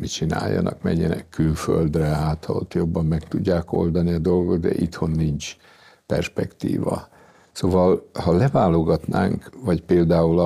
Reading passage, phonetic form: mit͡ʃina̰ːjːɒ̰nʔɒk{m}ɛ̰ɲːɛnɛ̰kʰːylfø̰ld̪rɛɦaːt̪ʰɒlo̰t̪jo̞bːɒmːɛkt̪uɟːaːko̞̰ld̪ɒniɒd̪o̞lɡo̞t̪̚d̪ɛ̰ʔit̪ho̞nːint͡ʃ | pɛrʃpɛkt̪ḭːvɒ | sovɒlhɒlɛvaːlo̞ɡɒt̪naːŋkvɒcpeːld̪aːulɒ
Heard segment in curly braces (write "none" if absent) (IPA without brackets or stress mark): m